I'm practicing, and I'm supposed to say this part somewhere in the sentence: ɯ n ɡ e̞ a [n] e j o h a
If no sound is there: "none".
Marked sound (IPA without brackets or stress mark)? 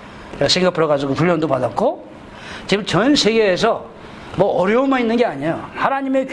ɲ